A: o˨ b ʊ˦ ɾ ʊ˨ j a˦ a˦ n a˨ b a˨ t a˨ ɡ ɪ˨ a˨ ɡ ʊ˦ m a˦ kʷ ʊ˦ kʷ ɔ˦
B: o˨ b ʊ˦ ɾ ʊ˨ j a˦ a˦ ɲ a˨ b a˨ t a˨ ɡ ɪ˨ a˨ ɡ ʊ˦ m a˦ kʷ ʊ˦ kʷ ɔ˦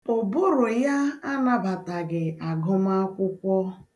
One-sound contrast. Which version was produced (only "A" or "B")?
A